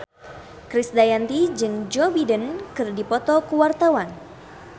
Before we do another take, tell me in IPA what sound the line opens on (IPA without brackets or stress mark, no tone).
k